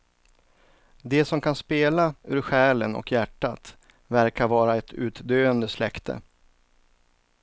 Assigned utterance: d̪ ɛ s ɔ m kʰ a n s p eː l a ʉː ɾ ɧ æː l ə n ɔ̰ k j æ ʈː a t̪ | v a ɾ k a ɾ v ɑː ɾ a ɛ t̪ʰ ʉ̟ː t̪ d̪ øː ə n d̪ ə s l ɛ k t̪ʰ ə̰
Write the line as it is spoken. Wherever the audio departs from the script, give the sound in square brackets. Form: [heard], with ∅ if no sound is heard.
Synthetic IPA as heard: d̪ ɛ s ɔ m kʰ a n s p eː l a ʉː ɾ ɧ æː l ə n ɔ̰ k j æ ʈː a t̪ | v [æ] ɾ k a ɾ v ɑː ɾ a ɛ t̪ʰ ʉ̟ː t̪ d̪ øː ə n d̪ ə s l ɛ k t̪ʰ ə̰